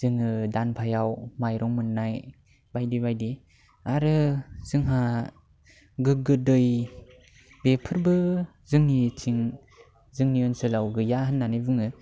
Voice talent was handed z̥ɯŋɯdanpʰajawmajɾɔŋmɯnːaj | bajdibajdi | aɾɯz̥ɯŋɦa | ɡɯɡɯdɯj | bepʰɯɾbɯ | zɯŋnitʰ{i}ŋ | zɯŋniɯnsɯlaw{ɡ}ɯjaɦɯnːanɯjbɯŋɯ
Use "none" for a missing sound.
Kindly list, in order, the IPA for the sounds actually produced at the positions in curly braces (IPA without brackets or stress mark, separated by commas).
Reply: i, ɡ